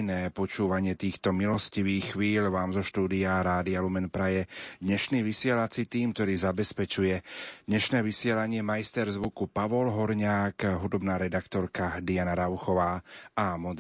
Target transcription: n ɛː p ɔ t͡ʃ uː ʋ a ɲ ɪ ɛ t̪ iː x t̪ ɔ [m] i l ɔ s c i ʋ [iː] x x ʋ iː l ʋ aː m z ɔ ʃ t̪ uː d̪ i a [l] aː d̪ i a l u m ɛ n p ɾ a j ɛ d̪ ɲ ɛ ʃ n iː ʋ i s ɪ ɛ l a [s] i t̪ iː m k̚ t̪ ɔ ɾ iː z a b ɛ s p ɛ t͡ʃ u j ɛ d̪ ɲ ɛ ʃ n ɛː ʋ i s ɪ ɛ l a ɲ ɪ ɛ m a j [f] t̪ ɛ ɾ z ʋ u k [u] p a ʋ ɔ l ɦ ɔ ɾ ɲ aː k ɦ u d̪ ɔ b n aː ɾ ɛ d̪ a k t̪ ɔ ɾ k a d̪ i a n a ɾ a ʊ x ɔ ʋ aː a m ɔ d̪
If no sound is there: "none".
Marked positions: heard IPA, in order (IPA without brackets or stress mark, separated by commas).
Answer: m, iː, ɾ, t͡s, s, u